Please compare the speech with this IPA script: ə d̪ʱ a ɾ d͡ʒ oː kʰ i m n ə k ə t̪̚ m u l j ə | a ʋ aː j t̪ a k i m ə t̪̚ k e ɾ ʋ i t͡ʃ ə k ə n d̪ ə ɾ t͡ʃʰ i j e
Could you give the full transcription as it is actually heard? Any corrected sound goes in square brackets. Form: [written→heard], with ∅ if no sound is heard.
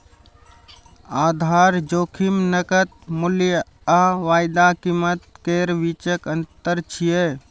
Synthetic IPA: [ə→a] d̪ʱ a ɾ d͡ʒ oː kʰ i m n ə k ə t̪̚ m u l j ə | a ʋ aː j [t̪→d̪] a k i m ə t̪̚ k e ɾ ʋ i t͡ʃ ə k ə n [d̪→t̪] ə ɾ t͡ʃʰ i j e